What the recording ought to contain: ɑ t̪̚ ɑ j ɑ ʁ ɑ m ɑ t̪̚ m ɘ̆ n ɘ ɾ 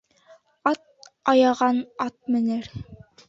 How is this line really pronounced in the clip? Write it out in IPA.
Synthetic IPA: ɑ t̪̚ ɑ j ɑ ʁ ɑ n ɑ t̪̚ m ɘ̆ n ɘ ɾ